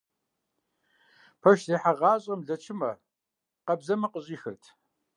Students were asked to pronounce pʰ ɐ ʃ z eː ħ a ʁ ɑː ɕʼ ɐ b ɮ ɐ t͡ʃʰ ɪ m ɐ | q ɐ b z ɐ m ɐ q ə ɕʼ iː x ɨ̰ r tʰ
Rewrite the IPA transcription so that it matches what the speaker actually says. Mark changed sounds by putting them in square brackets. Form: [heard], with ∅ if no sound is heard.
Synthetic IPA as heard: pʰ ɐ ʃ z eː ħ a ʁ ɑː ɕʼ ɐ [m] ɮ ɐ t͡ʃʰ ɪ m ɐ | q ɐ b z ɐ m ɐ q ə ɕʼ iː x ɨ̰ r tʰ